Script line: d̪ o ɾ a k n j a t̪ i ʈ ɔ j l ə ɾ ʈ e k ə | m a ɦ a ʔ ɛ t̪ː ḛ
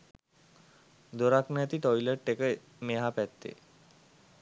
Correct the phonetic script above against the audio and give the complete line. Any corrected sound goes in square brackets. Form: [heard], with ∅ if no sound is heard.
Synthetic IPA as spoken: d̪ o ɾ a k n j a t̪ i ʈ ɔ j l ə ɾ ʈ e k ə | m [e] ɦ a [p] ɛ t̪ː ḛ